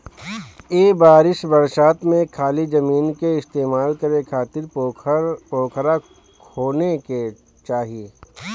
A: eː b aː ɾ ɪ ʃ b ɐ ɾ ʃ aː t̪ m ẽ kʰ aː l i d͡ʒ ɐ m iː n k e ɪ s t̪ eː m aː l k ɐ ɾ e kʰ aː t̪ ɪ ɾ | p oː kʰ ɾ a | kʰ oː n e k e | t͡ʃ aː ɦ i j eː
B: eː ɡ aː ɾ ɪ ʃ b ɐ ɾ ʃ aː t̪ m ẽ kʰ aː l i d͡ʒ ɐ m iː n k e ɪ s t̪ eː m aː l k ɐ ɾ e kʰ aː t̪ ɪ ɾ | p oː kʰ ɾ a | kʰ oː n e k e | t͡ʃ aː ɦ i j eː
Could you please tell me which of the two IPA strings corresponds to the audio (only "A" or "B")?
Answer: A